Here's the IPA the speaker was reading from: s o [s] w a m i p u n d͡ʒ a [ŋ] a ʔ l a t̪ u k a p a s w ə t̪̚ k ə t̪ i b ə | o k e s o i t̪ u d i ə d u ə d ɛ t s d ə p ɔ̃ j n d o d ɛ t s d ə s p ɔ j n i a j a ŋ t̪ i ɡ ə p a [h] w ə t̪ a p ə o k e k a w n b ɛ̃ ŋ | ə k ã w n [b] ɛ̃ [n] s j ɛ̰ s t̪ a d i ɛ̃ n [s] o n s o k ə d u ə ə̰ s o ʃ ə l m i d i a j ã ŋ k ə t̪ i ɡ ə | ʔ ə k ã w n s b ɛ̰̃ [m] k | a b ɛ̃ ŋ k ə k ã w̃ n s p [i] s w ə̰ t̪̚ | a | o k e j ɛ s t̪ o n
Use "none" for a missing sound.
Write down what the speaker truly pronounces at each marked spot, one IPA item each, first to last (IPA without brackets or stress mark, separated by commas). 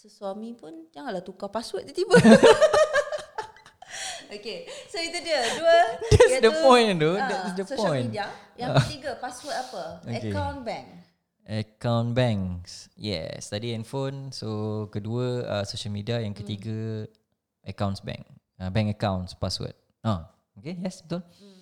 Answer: s, ŋ, s, b, ŋ, f, ŋ, a